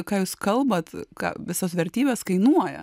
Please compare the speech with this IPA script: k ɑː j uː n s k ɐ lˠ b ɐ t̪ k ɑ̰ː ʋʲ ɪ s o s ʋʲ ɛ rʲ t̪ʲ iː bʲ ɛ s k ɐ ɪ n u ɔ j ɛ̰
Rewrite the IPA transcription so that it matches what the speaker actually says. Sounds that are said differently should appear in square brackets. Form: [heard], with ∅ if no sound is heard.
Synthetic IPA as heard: k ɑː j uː [∅] s k ɐ lˠ b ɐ t̪ k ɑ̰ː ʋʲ ɪ s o s ʋʲ ɛ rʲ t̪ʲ iː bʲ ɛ s k ɐ ɪ n u ɔ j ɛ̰